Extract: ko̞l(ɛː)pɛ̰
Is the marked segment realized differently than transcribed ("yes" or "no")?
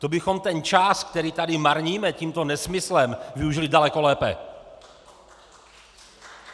no